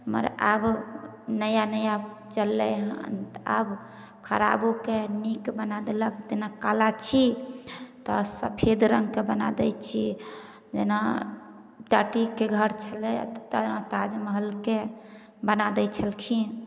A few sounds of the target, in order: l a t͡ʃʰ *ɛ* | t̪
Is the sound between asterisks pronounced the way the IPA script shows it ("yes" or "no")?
no